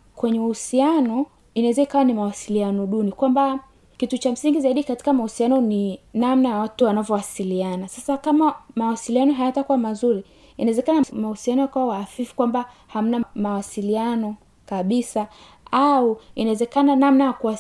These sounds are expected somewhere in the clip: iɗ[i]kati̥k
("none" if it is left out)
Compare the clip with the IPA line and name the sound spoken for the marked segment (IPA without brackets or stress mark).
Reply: i